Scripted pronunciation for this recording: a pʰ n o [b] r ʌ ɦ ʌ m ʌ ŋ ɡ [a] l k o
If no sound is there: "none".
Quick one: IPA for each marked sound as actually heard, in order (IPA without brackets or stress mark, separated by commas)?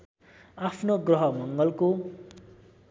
ɡ, ʌ